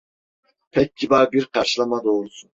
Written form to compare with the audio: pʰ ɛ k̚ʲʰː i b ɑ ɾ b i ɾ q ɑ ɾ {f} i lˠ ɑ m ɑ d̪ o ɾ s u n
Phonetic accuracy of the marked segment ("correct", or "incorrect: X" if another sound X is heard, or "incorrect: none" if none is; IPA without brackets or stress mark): incorrect: ʃ